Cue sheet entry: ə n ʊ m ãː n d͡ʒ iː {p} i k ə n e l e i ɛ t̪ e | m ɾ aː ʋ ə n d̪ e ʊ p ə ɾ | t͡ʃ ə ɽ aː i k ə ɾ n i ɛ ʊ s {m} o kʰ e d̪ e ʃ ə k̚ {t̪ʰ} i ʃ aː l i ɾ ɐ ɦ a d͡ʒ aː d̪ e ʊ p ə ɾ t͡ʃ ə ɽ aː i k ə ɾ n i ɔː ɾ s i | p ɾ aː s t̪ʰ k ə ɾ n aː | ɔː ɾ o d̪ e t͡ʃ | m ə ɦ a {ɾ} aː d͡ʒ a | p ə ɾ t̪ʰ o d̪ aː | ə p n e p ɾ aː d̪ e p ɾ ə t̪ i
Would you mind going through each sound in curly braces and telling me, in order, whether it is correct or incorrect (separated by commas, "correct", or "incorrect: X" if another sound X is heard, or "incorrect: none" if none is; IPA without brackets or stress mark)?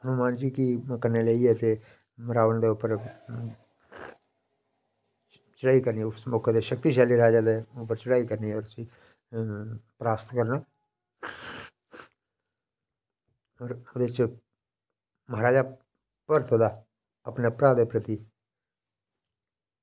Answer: incorrect: k, correct, incorrect: t̪, correct